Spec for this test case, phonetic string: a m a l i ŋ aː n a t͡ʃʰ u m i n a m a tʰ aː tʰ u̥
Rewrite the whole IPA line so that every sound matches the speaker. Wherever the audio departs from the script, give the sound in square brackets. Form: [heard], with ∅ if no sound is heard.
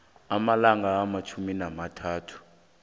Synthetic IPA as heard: a m a l [a] ŋ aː [m] a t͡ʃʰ u m i n a m a tʰ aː tʰ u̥